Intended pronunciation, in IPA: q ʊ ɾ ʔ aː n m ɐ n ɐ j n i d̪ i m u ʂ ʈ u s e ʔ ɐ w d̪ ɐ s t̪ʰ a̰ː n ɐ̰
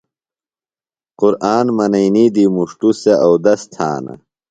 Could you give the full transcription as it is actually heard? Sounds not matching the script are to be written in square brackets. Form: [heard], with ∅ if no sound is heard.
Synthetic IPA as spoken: q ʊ ɾ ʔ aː n m ɐ n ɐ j n i d̪ i m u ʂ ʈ u s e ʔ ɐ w d̪ ɐ s t̪ʰ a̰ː n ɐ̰